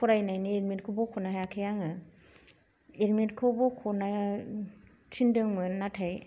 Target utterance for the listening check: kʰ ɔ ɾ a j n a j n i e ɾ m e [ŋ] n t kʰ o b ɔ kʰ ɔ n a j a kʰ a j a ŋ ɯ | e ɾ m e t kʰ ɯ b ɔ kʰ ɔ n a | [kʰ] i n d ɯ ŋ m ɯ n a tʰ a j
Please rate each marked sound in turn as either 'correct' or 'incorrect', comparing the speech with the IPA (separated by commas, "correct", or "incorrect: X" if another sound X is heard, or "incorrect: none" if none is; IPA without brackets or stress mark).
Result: incorrect: none, incorrect: tʰ